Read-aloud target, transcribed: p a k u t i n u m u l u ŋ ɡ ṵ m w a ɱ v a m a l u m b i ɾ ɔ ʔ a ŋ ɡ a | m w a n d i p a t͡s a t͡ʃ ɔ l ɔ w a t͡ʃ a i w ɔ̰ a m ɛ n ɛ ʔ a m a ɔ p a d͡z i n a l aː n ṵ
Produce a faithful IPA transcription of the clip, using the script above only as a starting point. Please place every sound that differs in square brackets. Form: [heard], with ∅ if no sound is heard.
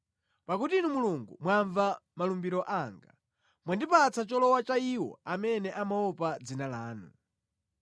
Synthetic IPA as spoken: p a k u t i n u m u l u ŋ ɡ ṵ m w a ɱ v a m a l u m b i ɾ ɔ ʔ a ŋ ɡ a | m w a n d i p a t͡s a t͡ʃ ɔ l ɔ w a t͡ʃ a i w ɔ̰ a m ɛ n ɛ ʔ a m a ɔ p a d͡z i n a l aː n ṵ